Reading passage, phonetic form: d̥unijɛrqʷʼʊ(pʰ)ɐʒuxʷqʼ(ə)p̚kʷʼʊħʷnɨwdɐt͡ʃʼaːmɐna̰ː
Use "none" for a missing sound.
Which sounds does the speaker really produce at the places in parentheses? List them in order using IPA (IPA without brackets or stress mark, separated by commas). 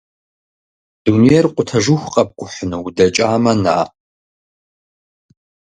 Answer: tʰ, ɐ